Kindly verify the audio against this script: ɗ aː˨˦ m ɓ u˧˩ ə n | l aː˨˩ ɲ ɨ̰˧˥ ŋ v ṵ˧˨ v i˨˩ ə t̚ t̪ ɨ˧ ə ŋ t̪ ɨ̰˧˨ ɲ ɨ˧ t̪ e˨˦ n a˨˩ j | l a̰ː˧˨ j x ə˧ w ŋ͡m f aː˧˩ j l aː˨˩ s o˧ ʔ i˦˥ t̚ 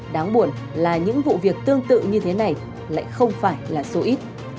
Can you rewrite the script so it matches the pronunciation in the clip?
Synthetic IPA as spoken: ɗ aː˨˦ ŋ ɓ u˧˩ ə n | l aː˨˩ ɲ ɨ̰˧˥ ŋ v ṵ˧˨ v i˨˩ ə k̚ t̪ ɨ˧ ə ŋ t̪ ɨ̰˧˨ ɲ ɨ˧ t̪ʰ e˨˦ n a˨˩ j | l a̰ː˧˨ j x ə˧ w ŋ͡m f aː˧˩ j l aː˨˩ s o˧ ʔ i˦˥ t̚